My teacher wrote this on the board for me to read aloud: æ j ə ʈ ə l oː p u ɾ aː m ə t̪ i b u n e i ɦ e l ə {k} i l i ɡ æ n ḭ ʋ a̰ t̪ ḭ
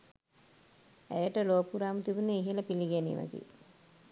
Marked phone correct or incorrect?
incorrect